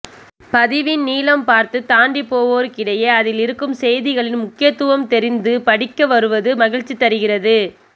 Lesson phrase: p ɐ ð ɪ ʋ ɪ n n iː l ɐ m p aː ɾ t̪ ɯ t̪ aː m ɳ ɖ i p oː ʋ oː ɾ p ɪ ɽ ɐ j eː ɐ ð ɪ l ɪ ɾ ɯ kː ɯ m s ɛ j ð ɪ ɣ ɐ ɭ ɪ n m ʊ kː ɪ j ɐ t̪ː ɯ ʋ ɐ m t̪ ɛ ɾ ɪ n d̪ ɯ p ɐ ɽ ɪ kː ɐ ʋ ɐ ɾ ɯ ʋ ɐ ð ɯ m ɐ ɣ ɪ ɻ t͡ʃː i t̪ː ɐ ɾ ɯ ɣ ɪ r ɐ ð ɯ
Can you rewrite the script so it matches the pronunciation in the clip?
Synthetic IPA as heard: p ɐ ð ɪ ʋ ɪ n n iː l ɐ m p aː ɾ t̪ ɯ t̪ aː ɳ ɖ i p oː ʋ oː ɾ k ɪ ɽ ɐ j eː ɐ ð ɪ l ɪ ɾ ɯ kː ɯ m s ɛ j ð ɪ ɣ ɐ ɭ ɪ n m ʊ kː ɪ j ɐ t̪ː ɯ ʋ ɐ m t̪ ɛ ɾ ɪ n d̪ ɯ p ɐ ɽ ɪ kː ɐ ʋ ɐ ɾ ɯ ʋ ɐ ð ɯ m ɐ ɣ ɪ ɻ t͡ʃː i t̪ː ɐ ɾ ɯ ɣ ɪ r ɐ ð ɯ

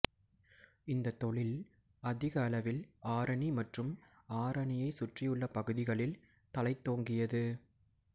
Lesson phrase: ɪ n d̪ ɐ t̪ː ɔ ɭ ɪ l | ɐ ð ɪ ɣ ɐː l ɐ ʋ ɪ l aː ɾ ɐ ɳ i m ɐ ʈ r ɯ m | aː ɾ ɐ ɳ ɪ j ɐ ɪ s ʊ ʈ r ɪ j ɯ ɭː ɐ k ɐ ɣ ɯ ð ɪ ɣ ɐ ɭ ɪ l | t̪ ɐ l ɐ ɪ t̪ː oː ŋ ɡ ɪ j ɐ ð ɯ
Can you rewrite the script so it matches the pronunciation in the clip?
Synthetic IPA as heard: ɪ n d̪ ɐ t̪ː ɔ ɭ ɪ l | ɐ ð ɪ ɣ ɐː l ɐ ʋ ɪ l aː ɾ ɐ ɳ i m ɐ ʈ r ɯ m | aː ɾ ɐ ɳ ɪ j ɐ ɪ s ʊ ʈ r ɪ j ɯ ɭː ɐ p ɐ ɣ ɯ ð ɪ ɣ ɐ ɭ ɪ l | t̪ ɐ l ɐ ɪ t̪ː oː ŋ ɡ ɪ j ɐ ð ɯ

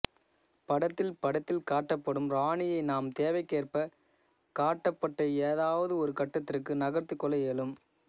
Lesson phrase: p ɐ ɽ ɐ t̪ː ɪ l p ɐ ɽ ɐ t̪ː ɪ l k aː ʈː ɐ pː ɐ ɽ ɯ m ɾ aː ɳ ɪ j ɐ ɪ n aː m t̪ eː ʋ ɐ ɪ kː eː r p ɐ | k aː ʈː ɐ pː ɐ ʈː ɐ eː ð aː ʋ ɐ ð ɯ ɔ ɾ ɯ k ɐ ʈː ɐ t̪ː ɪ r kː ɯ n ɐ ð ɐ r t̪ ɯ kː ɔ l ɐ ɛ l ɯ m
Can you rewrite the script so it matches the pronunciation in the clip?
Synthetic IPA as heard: p ɐ ɽ ɐ t̪ː ɪ l p ɐ ɽ ɐ t̪ː ɪ l k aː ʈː ɐ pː ɐ ɽ ɯ m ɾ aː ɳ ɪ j ɐ ɪ n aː m t̪ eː ʋ ɐ ɪ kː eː r p ɐ | k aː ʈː ɐ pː ɐ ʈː ɐ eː ð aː ʋ ɐ ð ɯ ɔ ɾ ɯ k ɐ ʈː ɐ t̪ː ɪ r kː ɯ n ɐ ɣ ɐ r t̪ ɯ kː ɔ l ɐ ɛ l ɯ m

